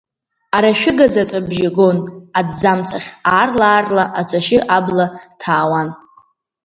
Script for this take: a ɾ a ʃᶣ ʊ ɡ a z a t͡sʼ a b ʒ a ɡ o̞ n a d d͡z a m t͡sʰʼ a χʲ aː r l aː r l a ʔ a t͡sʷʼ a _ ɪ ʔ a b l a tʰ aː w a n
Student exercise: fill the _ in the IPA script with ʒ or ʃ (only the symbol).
ʃ